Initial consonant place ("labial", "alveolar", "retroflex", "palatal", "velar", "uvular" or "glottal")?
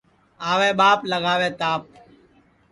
labial